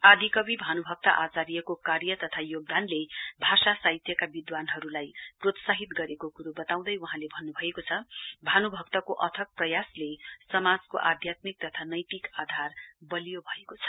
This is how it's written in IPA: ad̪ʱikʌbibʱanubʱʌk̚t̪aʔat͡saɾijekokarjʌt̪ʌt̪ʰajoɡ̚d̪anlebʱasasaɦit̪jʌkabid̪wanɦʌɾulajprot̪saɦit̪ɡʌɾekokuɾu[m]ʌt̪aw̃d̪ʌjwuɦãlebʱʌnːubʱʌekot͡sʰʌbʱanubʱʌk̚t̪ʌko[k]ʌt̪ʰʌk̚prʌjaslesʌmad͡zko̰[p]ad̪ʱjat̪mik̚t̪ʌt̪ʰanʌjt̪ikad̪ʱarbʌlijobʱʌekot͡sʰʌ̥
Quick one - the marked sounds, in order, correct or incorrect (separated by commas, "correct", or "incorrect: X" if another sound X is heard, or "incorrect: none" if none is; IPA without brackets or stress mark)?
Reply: incorrect: b, incorrect: ʔ, incorrect: ʔ